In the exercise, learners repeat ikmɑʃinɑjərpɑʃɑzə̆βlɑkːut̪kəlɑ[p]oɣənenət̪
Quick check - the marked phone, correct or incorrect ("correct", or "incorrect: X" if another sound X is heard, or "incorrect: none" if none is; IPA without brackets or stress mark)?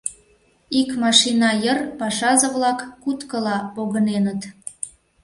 correct